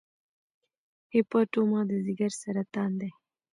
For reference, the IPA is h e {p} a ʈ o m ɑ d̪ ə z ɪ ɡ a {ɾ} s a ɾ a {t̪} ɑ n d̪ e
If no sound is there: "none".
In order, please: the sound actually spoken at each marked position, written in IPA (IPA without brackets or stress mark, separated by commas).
p, ɾ, t̪